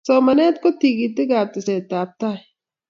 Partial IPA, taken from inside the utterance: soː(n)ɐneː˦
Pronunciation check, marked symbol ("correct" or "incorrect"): incorrect